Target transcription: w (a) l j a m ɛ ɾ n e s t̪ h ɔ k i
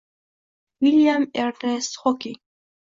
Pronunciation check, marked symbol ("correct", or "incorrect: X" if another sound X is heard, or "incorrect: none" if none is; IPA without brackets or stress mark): incorrect: i